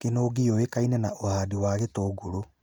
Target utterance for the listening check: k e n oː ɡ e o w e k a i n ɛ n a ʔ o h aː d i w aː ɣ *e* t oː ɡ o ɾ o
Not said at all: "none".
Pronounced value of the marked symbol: e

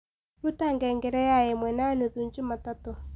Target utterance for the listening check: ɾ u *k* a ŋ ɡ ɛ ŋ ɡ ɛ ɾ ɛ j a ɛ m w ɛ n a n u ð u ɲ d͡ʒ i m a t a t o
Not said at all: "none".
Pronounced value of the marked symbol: t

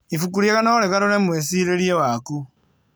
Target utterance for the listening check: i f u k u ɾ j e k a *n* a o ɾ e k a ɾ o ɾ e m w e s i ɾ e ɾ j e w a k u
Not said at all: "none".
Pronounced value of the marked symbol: n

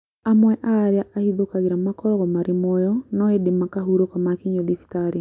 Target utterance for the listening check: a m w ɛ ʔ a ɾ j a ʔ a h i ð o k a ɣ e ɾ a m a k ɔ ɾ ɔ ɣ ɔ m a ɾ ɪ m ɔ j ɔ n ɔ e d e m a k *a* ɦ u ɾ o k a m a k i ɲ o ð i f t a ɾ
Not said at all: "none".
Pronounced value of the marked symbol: a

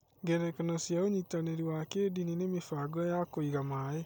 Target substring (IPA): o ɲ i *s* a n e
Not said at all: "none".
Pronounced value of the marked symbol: t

